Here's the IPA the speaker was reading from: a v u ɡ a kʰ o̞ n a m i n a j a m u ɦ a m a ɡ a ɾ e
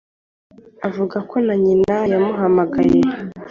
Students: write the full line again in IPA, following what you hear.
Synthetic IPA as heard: a v u ɡ a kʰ o̞ n a ɲ i n a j a m u ɦ a m a ɡ a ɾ e